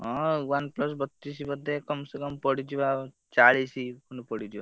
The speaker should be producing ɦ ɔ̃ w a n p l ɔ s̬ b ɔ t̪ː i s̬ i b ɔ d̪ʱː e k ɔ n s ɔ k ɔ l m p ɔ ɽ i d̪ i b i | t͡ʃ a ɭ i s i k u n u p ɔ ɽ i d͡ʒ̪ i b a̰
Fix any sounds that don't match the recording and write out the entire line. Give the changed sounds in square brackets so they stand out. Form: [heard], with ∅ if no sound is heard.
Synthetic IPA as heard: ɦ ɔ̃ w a n p l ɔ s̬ b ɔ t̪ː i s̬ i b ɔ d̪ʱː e k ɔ [m] s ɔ k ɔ [∅] m p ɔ ɽ i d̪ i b [a] | t͡ʃ a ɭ i s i k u n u p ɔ ɽ i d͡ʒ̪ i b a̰

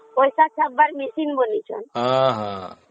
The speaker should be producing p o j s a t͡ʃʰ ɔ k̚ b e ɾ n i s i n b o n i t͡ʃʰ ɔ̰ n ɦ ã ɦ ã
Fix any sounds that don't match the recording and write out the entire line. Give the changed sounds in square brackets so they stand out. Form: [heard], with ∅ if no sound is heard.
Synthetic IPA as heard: p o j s a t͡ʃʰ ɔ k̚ b [a] ɾ [m] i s i n b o n i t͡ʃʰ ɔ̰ n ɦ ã ɦ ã

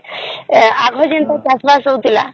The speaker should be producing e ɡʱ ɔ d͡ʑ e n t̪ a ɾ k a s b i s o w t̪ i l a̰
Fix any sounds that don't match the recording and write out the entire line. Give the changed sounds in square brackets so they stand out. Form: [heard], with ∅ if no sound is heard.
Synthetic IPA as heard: [a] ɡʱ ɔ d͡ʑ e n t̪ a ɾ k a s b [a] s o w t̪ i l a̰

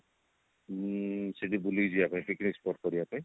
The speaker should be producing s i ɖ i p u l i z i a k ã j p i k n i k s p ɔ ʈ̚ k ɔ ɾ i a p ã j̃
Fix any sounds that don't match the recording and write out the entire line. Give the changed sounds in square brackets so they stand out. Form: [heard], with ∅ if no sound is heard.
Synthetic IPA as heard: s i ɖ i [b] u l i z i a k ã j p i k n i k s p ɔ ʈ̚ k ɔ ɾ i a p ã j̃

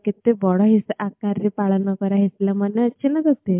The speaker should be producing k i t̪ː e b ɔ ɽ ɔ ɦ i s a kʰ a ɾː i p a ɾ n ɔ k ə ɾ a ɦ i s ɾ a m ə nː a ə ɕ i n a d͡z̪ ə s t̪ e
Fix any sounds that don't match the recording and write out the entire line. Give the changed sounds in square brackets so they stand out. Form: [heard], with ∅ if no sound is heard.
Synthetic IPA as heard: k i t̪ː e b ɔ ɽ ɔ ɦ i s a [k] a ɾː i p a [ɭ] n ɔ k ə ɾ a ɦ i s [l] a m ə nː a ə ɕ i n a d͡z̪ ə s t̪ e

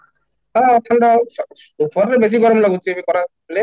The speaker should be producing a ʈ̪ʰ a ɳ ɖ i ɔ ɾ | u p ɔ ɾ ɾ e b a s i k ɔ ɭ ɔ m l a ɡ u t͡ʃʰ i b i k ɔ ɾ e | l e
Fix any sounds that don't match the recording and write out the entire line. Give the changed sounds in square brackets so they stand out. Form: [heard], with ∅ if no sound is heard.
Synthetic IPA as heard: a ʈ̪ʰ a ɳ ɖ [a] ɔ [∅] | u p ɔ ɾ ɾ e b [e] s i [ɡ] ɔ [ɾ] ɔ m l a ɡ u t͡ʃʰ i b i k ɔ ɾ [a] | l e

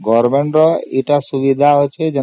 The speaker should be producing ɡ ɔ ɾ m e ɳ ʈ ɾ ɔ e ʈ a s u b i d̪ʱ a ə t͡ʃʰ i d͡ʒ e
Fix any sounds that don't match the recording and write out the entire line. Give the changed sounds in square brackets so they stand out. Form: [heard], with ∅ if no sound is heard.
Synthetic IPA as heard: ɡ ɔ ɾ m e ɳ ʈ ɾ ɔ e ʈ a s u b i d̪ʱ a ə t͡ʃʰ [e] d͡ʒ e

